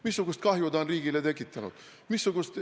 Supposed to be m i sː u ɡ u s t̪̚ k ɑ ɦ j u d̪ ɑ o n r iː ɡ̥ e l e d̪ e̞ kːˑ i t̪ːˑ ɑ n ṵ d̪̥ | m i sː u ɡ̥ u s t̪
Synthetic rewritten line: m i sː u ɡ u s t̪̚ k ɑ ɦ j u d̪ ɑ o n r iː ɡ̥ i l e t̪ e̞ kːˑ i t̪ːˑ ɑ n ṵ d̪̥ | m i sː u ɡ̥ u s t̪